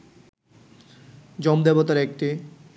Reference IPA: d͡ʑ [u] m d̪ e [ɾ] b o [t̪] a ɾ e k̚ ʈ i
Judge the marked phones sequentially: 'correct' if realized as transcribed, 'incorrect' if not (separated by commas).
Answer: incorrect, incorrect, correct